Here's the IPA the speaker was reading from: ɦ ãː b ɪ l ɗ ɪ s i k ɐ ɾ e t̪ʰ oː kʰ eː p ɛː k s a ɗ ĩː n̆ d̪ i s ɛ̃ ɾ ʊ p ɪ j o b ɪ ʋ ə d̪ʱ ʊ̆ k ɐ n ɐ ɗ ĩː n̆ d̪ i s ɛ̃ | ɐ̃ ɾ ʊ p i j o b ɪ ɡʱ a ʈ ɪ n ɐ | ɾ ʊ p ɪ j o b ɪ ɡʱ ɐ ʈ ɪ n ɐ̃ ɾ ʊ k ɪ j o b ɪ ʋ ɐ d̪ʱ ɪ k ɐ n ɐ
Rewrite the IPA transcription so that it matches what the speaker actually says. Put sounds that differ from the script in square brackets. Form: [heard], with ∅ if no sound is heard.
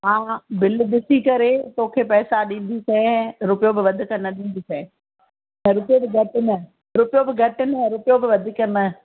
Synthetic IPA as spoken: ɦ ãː b ɪ l ɗ ɪ s i k ɐ ɾ e [t̪] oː kʰ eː p ɛː [∅] s a ɗ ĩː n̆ d̪ i s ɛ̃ ɾ ʊ p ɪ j o b ɪ ʋ [ɐ] d̪ʱ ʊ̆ k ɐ n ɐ ɗ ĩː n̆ d̪ i s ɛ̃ | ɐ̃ ɾ ʊ p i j o b ɪ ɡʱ [ɐ] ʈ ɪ n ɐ | ɾ ʊ p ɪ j o b ɪ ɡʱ ɐ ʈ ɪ n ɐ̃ ɾ ʊ [p] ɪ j o b ɪ ʋ ɐ d̪ʱ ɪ k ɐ n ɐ

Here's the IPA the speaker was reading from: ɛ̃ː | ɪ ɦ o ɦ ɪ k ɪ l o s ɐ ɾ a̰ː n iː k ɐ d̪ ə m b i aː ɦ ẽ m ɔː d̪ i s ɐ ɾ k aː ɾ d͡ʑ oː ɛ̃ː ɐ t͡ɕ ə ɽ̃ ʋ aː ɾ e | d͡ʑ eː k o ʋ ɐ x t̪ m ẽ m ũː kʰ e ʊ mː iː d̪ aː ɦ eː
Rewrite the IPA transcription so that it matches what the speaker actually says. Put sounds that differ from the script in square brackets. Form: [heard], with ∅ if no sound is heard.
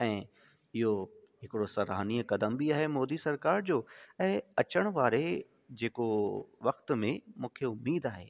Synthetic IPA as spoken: ɛ̃ː | ɪ ɦ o ɦ ɪ k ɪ [ɽ] o s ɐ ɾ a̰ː n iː k ɐ d̪ ə m b i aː ɦ [e] m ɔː d̪ i s ɐ ɾ k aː ɾ d͡ʑ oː ɛ̃ː ɐ t͡ɕ ə ɽ̃ ʋ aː ɾ e | d͡ʑ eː k o ʋ ɐ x t̪ m ẽ m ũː kʰ e ʊ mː iː d̪ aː ɦ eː

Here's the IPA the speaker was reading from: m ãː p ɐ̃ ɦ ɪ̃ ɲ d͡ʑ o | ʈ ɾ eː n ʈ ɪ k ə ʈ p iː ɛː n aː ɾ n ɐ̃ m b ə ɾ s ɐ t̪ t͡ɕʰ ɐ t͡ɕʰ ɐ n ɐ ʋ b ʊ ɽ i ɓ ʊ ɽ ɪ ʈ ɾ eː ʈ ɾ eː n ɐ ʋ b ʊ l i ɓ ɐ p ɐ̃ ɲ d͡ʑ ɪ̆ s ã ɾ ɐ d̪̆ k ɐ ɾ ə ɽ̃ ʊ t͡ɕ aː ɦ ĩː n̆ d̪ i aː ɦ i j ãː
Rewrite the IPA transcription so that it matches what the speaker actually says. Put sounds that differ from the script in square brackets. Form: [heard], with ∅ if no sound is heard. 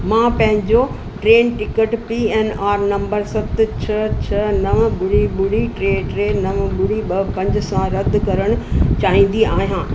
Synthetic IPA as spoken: m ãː p ɐ̃ ɦ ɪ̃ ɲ d͡ʑ o | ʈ ɾ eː n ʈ ɪ k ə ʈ p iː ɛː n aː ɾ n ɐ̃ m b ə ɾ s ɐ t̪ t͡ɕʰ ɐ t͡ɕʰ ɐ n ɐ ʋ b ʊ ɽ i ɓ ʊ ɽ [i] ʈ ɾ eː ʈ ɾ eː n ɐ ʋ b ʊ [ɽ] i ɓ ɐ p ɐ̃ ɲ d͡ʑ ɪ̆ s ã ɾ ɐ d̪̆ k ɐ ɾ ə ɽ̃ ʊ t͡ɕ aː ɦ ĩː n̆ d̪ i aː ɦ i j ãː

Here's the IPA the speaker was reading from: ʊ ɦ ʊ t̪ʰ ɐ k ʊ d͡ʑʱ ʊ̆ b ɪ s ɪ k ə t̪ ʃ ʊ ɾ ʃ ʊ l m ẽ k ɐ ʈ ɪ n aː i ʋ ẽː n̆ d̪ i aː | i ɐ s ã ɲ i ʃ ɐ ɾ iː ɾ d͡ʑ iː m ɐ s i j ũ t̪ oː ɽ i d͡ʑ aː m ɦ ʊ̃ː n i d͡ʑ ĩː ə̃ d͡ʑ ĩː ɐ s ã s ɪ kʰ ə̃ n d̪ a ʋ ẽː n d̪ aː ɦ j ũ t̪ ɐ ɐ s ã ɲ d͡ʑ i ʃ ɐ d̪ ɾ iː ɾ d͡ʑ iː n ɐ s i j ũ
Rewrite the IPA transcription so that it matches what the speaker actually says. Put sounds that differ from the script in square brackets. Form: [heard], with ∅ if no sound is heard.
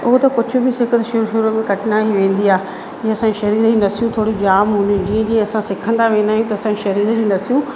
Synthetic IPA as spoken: ʊ ɦ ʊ [t̪] ɐ k ʊ d͡ʑʱ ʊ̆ b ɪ s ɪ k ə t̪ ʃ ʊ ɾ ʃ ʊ [ɾ] m ẽ k ɐ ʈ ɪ n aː i ʋ ẽː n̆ d̪ i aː | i ɐ s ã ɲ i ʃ ɐ ɾ iː ɾ d͡ʑ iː [n] ɐ s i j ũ [t̪ʰ] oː ɽ i d͡ʑ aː m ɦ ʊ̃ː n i d͡ʑ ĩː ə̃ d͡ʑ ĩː ɐ s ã s ɪ kʰ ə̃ n d̪ a ʋ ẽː n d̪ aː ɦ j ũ t̪ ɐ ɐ s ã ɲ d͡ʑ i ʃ ɐ [∅] ɾ iː ɾ d͡ʑ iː n ɐ s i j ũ

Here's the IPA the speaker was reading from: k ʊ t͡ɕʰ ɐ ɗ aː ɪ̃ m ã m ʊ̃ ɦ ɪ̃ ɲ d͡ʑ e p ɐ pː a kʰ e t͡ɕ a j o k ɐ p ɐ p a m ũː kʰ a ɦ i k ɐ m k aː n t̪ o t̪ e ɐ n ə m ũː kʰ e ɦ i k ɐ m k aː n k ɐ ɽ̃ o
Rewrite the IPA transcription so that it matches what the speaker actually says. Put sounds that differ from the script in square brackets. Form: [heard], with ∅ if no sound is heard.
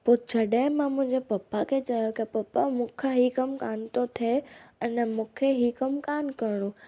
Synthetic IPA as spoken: [p] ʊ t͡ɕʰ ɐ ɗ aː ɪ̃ m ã m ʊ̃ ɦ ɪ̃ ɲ d͡ʑ e p ɐ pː a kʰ e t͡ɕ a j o k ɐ p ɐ p a m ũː kʰ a ɦ i k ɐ m k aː n t̪ o [t̪ʰ] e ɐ n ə m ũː kʰ e ɦ i k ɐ m k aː n k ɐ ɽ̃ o

